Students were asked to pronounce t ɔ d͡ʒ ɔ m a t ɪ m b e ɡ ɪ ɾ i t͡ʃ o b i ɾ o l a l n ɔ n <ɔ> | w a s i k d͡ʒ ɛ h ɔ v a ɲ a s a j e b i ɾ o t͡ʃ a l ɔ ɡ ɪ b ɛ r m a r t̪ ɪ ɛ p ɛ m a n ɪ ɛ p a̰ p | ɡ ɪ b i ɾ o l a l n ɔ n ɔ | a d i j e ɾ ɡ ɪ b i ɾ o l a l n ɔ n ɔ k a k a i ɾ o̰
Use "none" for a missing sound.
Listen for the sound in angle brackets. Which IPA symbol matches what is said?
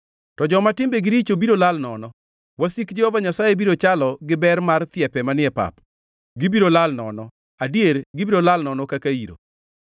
ɔ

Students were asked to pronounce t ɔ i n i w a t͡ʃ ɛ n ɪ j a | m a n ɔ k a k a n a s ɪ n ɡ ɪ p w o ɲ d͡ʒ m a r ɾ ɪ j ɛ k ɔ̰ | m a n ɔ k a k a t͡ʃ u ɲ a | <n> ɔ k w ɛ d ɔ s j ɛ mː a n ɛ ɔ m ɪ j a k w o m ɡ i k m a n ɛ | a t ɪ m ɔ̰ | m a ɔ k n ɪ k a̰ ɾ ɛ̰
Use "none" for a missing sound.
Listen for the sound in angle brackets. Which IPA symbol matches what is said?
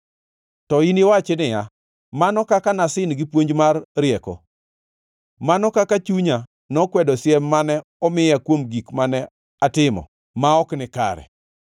n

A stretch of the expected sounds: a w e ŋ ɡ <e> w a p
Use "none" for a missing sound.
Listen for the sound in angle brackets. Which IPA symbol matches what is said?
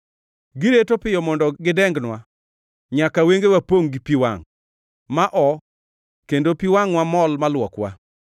e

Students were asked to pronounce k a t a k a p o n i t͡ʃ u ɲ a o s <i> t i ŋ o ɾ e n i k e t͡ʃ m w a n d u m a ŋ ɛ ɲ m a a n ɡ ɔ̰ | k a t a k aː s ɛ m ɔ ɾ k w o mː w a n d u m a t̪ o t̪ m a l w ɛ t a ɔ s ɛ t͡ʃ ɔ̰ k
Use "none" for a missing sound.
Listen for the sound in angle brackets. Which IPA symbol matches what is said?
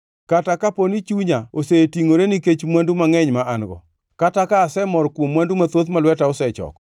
e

